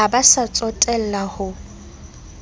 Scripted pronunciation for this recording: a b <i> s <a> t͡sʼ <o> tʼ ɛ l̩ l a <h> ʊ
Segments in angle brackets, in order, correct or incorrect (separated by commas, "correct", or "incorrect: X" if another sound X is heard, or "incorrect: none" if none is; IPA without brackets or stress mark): incorrect: a, correct, incorrect: ɔ, correct